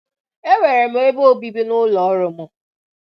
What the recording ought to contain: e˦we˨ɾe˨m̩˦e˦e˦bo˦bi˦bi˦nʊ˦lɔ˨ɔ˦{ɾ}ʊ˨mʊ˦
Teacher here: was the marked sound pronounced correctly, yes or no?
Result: yes